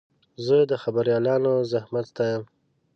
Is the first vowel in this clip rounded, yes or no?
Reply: no